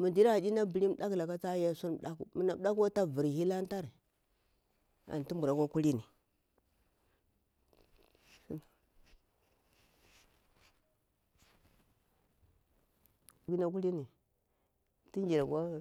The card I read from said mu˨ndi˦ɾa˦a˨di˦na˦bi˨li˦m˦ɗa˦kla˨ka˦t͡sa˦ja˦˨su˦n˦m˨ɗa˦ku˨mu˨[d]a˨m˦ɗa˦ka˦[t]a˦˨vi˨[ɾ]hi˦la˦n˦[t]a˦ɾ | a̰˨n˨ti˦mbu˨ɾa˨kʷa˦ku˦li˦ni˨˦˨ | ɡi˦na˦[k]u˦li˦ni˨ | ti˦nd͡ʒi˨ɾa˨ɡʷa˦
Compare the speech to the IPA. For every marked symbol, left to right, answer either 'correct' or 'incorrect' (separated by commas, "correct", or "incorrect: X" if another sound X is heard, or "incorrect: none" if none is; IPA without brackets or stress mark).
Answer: incorrect: n, correct, correct, correct, correct